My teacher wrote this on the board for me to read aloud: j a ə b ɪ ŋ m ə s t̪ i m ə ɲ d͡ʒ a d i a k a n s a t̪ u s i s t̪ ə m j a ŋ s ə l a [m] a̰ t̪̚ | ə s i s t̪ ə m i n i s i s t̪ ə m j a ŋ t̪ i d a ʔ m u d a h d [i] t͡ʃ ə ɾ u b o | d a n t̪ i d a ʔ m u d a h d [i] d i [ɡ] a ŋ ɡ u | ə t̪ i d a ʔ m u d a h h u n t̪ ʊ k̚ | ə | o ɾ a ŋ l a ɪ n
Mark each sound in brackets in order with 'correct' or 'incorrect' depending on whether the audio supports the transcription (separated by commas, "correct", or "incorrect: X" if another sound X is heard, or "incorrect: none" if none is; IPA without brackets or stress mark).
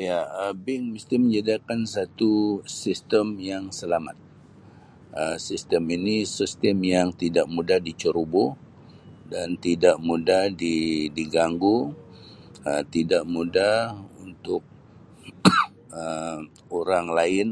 correct, correct, correct, correct